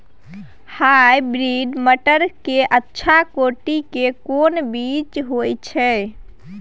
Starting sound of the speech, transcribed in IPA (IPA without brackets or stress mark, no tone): h